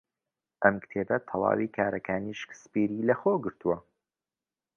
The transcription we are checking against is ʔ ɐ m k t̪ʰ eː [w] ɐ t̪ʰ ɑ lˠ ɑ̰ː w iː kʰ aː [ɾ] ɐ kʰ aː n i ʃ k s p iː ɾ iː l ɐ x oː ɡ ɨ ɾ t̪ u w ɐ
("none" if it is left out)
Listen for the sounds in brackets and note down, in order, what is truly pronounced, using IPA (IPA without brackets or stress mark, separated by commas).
b, ɾ